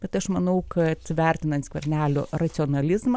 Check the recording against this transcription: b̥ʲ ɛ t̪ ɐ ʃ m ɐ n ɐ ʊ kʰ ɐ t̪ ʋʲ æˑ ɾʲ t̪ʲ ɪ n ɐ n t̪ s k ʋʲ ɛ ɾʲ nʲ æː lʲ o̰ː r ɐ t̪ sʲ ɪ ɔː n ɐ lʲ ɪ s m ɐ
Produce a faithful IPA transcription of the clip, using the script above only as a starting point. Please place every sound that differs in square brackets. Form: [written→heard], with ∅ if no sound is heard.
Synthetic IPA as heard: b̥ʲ ɛ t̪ ɐ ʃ m ɐ n ɐ ʊ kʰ ɐ t̪ ʋʲ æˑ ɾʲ t̪ʲ ɪ n ɐ n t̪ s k ʋʲ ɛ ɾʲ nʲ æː lʲ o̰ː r ɐ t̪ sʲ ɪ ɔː n ɐ lʲ ɪ [s→z] m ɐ